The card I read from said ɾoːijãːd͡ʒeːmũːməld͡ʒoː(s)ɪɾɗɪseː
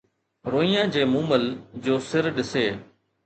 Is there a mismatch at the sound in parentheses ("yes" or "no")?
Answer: no